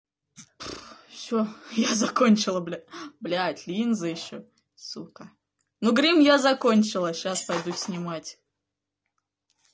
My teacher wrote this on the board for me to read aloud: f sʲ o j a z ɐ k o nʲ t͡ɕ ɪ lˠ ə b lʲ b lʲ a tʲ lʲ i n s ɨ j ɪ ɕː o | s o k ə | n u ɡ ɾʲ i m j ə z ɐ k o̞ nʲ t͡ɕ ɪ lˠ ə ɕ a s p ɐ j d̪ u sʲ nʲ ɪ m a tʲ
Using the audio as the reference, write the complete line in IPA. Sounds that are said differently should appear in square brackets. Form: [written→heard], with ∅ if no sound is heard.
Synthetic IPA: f sʲ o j a z ɐ k o nʲ t͡ɕ ɪ lˠ ə b lʲ b lʲ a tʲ lʲ i n [s→z] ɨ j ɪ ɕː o | s [o→u] k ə | n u ɡ ɾʲ i m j [ə→a] z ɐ k o̞ nʲ t͡ɕ ɪ lˠ ə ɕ a s p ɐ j d̪ u sʲ nʲ ɪ m a tʲ